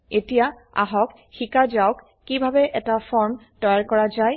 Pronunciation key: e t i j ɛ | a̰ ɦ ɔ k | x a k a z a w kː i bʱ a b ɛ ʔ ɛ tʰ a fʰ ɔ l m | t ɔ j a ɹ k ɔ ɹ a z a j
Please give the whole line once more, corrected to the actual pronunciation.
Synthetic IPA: e t i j a | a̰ ɦ ɔ k | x i k a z a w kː i bʱ a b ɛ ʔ ɛ t a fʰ ɔ ɹ m | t ɔ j a ɹ k ɔ ɹ a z a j